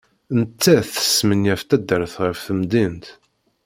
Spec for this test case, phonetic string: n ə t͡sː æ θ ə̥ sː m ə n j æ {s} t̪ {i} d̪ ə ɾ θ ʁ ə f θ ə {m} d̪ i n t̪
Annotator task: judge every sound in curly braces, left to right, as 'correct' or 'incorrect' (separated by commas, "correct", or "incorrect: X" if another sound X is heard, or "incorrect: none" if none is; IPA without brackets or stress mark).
incorrect: f, incorrect: æ, correct